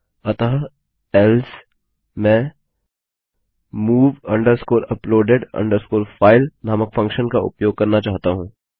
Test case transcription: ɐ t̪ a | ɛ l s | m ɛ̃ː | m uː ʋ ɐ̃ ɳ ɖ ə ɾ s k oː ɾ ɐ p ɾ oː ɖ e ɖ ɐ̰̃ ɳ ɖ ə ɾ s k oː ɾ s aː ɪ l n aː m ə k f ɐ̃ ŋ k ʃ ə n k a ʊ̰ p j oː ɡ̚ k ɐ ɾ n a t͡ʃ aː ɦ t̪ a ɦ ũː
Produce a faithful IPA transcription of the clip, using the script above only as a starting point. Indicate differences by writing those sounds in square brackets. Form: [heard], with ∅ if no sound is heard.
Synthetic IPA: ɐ t̪ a | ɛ l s | m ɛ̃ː | m uː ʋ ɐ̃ ɳ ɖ ə ɾ s k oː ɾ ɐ p [l] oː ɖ e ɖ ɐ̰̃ ɳ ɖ ə ɾ s k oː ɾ [f] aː ɪ l n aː m ə k f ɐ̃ ŋ k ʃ ə n k a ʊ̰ p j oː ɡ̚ k ɐ ɾ n a t͡ʃ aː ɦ t̪ a ɦ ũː